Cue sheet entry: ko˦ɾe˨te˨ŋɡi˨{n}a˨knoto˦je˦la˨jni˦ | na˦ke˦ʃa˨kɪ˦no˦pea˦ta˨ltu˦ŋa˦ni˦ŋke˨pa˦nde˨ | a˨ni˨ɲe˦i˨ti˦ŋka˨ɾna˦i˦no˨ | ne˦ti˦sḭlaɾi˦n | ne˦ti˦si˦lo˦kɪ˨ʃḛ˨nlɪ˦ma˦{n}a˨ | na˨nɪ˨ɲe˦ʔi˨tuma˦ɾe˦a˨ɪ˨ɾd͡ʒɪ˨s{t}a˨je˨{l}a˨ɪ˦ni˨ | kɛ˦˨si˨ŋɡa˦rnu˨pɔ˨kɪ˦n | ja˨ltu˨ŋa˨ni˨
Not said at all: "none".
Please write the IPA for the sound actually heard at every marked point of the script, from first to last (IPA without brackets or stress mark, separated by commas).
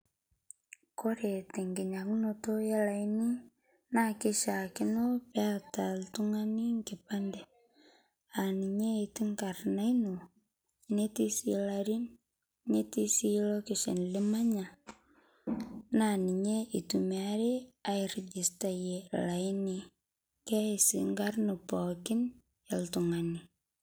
ɲ, ɲ, t, l